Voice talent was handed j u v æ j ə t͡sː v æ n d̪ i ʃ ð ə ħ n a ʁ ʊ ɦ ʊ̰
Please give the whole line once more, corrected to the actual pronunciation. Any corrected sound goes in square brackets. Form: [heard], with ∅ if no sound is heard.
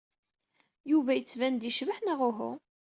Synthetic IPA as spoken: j u v æ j ə t͡sː v æ n d̪ i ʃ [v] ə ħ n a ʁ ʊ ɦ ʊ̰